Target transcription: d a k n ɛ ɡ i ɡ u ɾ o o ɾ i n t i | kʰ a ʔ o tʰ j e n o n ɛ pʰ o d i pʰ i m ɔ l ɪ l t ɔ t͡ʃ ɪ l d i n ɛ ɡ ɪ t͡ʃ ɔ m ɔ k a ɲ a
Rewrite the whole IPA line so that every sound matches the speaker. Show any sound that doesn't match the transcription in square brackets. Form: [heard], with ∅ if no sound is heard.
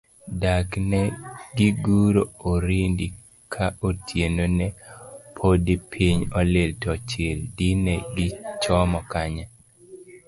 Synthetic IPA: d a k n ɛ ɡ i ɡ u ɾ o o ɾ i n [d] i | kʰ a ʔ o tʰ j e n o n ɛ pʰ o d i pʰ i [ɲ] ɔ l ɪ l t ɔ t͡ʃ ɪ l d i n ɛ ɡ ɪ t͡ʃ ɔ m ɔ k a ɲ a